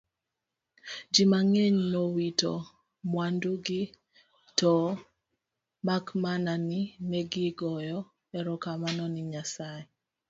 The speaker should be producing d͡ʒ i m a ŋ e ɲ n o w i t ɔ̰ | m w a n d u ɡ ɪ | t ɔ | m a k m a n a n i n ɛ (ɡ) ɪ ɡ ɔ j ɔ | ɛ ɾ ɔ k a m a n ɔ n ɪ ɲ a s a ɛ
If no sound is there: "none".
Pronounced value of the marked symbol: ɡ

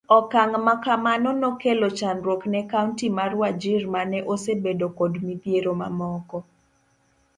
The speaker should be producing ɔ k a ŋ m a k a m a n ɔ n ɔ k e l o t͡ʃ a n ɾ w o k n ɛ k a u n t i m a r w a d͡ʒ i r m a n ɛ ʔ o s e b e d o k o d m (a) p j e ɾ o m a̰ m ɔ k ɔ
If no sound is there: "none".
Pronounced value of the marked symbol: i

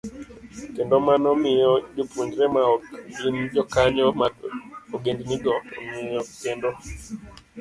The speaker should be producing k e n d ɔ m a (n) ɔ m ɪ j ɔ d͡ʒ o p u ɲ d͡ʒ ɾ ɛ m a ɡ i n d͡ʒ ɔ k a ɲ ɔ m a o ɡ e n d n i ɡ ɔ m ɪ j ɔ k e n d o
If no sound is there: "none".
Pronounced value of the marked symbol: n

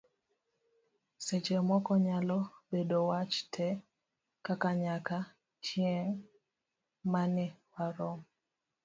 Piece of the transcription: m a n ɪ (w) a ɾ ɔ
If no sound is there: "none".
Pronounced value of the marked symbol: w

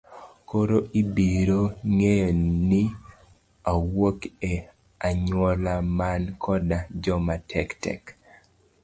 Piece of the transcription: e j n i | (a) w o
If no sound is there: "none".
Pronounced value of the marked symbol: a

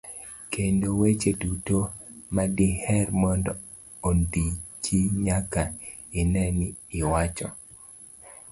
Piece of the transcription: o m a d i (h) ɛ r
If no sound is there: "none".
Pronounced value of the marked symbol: h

